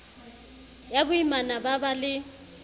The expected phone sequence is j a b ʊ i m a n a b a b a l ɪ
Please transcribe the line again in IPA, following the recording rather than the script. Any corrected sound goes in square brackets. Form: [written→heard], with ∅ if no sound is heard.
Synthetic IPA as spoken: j a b ʊ i m a n a b a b a l ɪ